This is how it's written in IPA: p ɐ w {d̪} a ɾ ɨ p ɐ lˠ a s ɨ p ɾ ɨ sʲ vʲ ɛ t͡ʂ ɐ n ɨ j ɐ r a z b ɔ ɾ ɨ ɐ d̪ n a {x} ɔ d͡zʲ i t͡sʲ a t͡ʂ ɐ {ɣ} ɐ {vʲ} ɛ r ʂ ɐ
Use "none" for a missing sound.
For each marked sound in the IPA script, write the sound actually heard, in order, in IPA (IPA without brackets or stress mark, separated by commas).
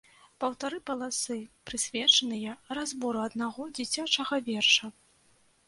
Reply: t̪, ɣ, ɣ, vʲ